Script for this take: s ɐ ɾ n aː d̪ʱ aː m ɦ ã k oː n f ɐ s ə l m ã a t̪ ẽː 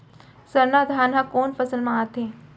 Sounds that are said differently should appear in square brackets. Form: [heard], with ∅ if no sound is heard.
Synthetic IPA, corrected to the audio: s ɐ ɾ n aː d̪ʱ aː [n] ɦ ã k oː n f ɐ s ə l m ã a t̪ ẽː